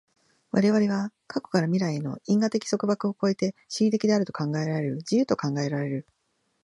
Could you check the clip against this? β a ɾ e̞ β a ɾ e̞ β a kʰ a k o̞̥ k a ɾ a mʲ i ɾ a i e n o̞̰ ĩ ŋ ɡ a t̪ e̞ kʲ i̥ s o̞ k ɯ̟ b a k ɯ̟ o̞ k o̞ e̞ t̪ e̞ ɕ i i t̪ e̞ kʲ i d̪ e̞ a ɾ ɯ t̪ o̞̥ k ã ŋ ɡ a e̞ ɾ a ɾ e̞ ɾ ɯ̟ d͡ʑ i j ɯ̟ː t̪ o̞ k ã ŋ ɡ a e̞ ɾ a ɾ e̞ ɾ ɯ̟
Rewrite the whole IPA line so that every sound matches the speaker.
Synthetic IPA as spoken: β a ɾ e̞ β a ɾ e̞ β a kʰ a k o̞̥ k a ɾ a mʲ i ɾ a i e n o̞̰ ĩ ŋ ɡ a t̪ e̞ kʲ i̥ s o̞ k ɯ̟ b a k ɯ̟ o̞ k o̞ e̞ t̪ e̞ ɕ i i t̪ e̞ kʲ i d̪ e̞ a ɾ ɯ t̪ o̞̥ k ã ŋ ɡ a e̞ ɾ a ɾ e̞ ɾ ɯ̟ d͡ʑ i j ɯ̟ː t̪ o̞ k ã ŋ ɡ a e̞ ɾ a ɾ e̞ ɾ ɯ̟